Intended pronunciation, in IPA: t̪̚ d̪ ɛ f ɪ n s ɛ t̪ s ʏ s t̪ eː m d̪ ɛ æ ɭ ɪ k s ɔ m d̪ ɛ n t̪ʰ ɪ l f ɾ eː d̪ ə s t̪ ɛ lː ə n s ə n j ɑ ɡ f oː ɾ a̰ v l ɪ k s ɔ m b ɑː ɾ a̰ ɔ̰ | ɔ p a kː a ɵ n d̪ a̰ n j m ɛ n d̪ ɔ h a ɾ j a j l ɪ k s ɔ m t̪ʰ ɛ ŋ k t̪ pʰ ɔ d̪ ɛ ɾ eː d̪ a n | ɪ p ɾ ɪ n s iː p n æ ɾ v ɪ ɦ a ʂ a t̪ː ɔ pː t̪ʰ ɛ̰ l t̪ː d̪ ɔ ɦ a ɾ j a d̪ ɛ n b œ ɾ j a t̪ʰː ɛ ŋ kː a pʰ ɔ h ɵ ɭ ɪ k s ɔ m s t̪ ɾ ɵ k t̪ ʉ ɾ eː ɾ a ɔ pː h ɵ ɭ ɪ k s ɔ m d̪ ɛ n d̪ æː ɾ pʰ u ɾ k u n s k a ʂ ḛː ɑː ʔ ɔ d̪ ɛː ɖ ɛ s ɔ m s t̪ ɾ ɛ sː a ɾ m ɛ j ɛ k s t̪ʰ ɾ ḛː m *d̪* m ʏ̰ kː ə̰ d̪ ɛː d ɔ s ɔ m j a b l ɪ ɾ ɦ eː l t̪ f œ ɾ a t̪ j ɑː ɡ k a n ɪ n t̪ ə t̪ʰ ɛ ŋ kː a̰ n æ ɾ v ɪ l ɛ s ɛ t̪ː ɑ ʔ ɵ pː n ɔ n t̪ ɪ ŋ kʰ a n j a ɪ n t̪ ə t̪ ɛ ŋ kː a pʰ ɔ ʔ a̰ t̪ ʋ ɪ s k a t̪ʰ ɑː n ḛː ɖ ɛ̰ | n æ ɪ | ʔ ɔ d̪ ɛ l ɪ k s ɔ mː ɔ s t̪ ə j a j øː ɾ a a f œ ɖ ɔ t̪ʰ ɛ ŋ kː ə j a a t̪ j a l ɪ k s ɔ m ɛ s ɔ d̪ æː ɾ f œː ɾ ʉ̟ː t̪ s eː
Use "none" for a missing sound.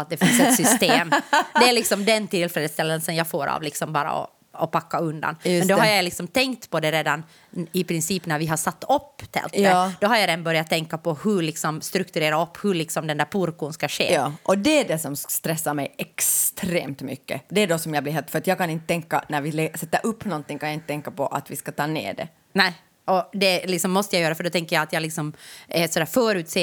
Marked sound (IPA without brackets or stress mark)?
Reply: t̪